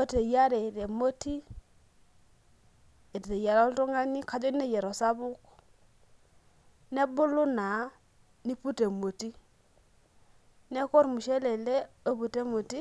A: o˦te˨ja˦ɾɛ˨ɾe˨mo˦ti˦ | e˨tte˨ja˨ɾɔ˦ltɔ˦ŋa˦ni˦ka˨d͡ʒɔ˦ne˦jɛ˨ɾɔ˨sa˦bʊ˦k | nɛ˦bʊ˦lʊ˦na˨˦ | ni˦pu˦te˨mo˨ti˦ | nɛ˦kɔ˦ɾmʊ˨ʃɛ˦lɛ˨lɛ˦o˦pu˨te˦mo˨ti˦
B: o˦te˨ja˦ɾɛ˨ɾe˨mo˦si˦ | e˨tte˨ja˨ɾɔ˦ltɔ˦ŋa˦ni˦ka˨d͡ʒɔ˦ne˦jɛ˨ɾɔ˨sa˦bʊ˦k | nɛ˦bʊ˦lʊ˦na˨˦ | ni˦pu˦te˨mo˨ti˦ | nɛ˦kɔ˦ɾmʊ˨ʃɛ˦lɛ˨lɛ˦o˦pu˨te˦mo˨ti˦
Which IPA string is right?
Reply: A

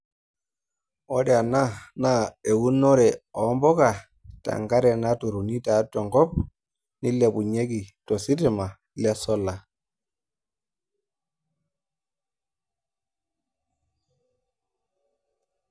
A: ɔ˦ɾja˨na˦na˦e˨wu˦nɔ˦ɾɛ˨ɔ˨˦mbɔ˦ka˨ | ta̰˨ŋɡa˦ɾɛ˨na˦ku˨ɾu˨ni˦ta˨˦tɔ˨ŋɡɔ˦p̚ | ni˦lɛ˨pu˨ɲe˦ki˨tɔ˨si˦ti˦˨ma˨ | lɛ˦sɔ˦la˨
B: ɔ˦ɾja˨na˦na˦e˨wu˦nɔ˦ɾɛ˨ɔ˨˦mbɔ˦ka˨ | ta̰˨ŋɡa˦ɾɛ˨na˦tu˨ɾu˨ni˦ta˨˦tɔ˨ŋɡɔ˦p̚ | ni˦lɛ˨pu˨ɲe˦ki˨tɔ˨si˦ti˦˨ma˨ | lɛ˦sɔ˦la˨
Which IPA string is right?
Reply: B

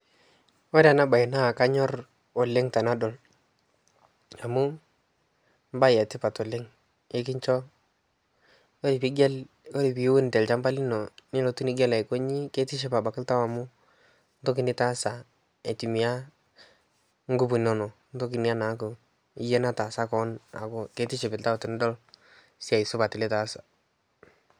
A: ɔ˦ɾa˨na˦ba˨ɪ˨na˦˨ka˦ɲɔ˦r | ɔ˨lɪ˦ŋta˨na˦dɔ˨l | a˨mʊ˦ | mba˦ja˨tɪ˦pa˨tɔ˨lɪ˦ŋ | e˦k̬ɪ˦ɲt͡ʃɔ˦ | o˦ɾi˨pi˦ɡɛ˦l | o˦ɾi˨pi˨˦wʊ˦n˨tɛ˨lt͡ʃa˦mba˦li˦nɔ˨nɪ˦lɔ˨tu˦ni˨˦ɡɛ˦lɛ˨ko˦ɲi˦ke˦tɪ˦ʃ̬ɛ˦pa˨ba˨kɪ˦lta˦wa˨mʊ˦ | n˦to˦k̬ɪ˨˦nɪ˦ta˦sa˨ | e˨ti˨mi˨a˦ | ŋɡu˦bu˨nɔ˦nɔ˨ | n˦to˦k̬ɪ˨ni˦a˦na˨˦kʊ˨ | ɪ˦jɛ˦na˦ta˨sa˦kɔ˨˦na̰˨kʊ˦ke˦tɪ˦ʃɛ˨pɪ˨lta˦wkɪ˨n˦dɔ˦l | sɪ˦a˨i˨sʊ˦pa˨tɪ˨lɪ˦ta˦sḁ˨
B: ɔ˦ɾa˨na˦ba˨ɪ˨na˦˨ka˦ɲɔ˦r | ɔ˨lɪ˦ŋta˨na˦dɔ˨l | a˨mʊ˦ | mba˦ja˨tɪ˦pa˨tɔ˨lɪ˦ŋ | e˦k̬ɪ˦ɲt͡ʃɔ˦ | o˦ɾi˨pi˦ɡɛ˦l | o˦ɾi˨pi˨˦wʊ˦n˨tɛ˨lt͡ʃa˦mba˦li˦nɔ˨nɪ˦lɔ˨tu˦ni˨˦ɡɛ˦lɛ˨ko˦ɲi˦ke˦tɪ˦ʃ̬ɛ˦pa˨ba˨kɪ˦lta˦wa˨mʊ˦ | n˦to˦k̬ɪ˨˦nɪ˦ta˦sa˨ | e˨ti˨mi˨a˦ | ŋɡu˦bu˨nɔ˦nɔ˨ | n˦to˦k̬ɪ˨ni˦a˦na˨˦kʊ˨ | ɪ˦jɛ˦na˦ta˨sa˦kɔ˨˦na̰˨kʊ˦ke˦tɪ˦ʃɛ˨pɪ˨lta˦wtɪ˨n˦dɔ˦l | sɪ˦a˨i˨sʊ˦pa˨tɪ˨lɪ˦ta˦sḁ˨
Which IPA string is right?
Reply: B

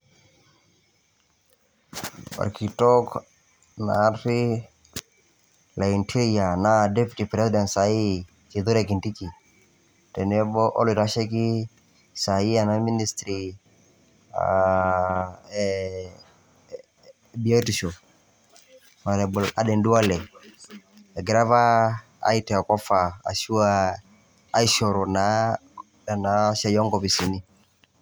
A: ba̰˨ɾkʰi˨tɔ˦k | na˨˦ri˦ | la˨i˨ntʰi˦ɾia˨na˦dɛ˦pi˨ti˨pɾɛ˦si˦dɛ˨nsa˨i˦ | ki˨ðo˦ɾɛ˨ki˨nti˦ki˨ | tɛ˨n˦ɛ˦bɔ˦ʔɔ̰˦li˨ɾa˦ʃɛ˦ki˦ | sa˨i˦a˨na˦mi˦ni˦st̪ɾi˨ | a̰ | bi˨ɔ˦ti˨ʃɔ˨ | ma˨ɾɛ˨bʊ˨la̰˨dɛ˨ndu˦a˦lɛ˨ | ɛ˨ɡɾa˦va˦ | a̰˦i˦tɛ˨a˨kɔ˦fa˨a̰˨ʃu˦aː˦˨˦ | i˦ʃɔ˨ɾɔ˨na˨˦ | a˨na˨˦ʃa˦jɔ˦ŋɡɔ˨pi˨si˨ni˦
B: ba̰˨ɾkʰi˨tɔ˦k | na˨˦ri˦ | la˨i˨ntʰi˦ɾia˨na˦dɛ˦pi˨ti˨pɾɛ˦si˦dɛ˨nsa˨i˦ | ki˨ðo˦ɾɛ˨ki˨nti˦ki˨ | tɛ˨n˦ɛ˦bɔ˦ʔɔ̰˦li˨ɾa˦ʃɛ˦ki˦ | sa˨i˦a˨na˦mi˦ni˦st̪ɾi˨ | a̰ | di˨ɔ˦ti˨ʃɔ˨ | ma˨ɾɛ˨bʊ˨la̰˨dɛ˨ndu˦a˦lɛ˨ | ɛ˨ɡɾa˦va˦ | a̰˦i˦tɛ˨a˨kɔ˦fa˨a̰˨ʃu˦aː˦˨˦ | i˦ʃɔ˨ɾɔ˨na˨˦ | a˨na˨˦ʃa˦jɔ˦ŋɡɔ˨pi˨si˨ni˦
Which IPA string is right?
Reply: A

